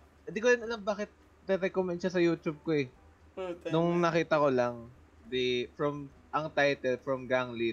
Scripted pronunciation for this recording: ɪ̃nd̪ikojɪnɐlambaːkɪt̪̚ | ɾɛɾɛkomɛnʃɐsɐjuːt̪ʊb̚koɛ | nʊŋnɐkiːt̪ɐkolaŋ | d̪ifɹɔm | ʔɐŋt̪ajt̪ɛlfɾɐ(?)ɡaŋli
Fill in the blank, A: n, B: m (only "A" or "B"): B